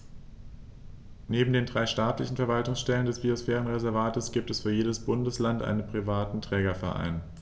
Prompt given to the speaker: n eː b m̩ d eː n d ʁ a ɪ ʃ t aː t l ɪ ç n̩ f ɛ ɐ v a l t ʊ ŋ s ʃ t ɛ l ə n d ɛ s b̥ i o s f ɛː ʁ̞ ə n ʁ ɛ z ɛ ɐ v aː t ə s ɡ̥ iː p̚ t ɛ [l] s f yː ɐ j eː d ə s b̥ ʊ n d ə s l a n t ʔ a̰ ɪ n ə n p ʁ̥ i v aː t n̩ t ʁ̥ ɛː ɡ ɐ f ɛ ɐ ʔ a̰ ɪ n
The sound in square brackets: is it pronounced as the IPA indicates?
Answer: no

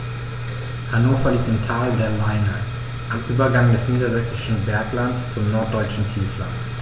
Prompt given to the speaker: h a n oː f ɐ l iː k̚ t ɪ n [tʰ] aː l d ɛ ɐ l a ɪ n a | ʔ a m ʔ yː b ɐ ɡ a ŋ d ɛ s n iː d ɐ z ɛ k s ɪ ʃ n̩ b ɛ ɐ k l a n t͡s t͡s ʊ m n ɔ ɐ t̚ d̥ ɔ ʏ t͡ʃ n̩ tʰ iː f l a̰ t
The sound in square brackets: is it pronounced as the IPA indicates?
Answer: yes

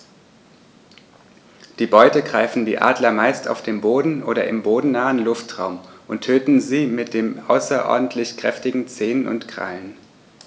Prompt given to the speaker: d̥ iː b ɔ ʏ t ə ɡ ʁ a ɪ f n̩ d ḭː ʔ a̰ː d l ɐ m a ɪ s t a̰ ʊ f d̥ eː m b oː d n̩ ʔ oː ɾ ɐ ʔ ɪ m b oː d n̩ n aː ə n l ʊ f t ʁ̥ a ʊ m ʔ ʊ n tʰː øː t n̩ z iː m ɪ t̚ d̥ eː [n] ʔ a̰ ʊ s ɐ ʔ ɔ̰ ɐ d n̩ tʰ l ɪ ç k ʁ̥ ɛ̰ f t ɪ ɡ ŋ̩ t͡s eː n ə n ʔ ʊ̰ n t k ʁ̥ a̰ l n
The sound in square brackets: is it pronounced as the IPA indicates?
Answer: no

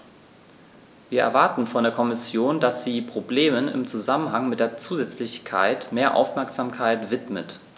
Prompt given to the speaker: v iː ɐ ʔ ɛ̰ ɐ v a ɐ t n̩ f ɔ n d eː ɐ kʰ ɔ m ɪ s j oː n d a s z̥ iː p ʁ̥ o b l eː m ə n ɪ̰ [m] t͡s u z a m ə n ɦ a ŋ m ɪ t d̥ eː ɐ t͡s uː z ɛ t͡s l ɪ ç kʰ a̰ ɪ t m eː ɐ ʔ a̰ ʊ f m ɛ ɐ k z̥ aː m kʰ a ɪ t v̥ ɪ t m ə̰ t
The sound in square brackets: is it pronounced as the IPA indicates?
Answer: yes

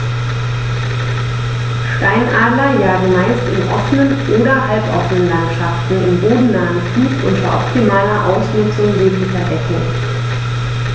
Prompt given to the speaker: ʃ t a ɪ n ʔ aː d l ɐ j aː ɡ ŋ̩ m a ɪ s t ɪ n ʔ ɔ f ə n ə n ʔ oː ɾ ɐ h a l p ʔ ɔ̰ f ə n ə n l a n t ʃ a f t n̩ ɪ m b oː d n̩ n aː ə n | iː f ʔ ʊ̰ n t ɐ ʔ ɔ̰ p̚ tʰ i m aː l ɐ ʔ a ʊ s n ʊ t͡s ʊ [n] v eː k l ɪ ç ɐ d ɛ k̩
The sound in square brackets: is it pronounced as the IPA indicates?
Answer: no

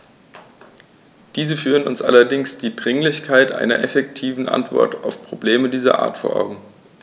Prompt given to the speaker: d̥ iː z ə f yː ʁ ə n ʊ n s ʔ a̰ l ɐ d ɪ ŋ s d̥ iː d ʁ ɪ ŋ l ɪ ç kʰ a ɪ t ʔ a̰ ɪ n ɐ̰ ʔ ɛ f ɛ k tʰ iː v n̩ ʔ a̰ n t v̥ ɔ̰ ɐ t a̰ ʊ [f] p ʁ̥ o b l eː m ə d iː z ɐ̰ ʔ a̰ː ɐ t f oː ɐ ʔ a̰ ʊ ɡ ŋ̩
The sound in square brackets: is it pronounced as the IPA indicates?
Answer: yes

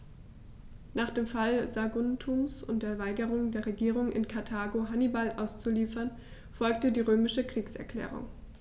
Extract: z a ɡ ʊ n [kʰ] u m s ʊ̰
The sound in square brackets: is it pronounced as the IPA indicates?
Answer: no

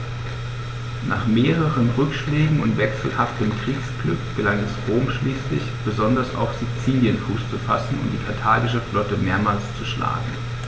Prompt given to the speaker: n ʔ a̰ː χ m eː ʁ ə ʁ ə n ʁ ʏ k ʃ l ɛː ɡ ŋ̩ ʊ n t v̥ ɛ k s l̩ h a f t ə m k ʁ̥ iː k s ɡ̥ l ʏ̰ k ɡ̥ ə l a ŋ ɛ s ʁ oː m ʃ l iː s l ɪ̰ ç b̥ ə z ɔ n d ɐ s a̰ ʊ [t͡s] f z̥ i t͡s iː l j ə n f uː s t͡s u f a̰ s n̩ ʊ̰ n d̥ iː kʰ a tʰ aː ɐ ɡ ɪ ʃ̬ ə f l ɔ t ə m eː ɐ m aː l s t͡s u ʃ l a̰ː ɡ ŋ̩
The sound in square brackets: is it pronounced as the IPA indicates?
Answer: no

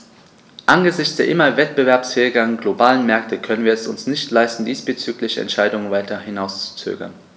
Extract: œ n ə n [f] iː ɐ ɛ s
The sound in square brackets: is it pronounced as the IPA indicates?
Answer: no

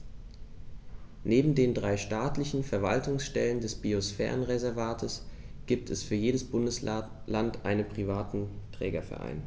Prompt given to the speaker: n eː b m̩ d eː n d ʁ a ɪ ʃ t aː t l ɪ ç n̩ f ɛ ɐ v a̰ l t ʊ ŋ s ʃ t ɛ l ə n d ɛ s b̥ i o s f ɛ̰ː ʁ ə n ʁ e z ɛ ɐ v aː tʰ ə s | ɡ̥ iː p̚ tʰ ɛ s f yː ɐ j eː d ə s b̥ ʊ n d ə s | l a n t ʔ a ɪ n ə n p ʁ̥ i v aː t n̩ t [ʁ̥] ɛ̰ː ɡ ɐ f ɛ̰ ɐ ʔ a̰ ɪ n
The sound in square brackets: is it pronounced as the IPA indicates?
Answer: yes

